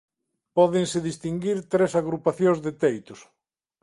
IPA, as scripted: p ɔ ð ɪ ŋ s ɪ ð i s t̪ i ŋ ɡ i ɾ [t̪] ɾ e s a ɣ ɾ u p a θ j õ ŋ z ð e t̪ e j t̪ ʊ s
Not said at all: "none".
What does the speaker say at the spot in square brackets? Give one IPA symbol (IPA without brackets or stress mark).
t̪